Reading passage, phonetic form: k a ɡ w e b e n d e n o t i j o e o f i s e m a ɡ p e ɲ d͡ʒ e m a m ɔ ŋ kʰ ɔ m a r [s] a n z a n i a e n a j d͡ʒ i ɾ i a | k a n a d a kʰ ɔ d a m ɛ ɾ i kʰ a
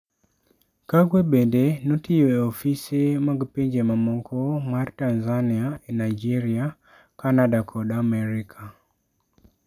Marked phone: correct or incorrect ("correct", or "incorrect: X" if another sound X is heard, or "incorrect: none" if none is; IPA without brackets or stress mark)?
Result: incorrect: t